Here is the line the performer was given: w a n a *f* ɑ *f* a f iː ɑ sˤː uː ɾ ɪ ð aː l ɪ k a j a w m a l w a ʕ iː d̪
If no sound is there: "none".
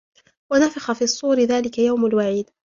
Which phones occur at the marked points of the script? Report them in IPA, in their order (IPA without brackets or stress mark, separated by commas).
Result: f, x